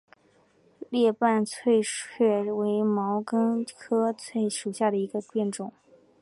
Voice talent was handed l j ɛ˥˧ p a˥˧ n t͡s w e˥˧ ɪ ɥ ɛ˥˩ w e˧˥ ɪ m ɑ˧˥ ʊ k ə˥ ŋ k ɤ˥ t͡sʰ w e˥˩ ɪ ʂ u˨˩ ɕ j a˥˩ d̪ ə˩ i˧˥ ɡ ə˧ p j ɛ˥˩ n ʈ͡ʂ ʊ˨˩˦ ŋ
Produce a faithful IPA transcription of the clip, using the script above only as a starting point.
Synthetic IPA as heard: l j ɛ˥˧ p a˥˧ n t͡sʰ w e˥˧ ɪ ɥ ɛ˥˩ w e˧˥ ɪ m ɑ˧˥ ʊ k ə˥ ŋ kʰ ɤ˥ t͡sʰ w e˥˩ ɪ ʂ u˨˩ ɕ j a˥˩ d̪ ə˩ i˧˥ ɡ ə˧ p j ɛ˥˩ n ʈ͡ʂ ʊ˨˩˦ ŋ